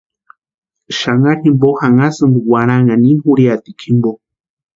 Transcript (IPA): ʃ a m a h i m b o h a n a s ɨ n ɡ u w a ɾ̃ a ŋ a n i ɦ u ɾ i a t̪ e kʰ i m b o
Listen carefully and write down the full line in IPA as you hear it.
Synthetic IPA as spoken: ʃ a ŋ a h i m b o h a ŋ a s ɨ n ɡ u w a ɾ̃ a ŋ a n i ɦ u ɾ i a t̪ i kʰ i m b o